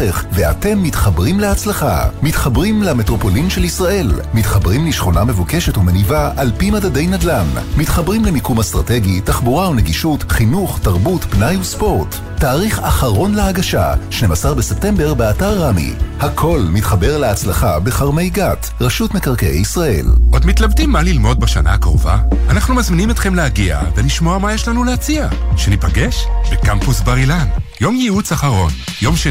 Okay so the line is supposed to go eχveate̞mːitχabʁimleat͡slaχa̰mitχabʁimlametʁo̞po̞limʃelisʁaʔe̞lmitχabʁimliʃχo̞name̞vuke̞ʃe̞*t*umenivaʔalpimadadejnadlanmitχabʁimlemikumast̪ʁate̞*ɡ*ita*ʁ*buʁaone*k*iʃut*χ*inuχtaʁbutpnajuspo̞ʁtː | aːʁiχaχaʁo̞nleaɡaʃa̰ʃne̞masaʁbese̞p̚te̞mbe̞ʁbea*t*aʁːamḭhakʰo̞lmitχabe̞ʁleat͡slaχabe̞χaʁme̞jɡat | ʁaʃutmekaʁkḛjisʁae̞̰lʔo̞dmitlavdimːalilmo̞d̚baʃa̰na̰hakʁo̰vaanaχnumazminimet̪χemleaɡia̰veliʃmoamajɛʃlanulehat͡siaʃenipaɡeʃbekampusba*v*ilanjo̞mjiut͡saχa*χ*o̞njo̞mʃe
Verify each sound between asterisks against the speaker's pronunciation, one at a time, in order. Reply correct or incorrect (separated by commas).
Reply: correct, correct, incorrect, incorrect, correct, correct, incorrect, incorrect